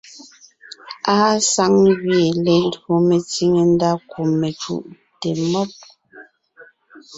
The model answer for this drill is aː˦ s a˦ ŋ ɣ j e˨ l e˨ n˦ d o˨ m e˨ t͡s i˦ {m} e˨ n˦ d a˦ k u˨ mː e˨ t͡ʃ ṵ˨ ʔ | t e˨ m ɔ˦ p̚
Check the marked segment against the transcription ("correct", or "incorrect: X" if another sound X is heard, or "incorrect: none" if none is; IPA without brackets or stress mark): incorrect: ŋ